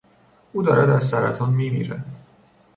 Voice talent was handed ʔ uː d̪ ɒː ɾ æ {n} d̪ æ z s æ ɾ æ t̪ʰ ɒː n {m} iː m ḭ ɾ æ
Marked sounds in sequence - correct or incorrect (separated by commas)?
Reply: incorrect, correct